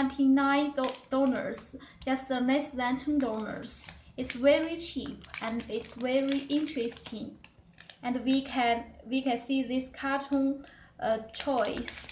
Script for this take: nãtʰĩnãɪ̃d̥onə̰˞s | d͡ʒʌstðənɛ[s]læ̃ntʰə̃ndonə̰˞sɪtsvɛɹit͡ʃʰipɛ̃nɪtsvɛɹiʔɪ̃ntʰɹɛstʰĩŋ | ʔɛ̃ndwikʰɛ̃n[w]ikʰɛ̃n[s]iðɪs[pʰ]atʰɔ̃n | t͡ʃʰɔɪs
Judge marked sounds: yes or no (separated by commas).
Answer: yes, yes, yes, no